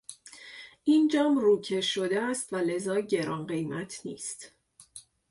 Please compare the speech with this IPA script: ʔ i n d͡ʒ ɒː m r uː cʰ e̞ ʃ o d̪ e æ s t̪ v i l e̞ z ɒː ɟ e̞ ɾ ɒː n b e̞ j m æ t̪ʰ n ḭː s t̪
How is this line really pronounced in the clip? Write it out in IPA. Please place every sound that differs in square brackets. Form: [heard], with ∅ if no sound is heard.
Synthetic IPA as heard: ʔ i n d͡ʒ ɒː m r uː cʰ e̞ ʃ o d̪ e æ s t̪ v [æ] l e̞ z ɒː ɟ e̞ ɾ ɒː n [ɢ] e̞ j m æ t̪ʰ n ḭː s t̪